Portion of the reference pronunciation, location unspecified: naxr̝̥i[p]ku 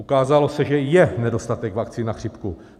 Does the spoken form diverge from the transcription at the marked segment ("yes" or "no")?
no